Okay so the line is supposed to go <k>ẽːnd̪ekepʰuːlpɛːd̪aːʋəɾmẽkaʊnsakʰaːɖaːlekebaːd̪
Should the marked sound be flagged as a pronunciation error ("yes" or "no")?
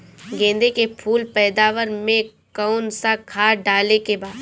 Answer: yes